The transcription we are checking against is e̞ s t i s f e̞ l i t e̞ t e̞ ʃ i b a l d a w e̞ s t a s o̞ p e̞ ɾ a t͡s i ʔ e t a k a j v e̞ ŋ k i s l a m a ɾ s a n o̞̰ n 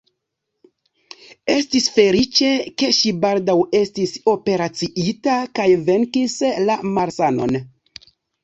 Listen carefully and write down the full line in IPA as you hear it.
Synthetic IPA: e̞ s t i s f e̞ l i t͡ʃ e̞ k e̞ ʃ i b a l d a w e̞ s t i s o̞ p e̞ ɾ a t͡s i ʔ i t a k a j v e̞ ŋ k i s l a m a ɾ s a n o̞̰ n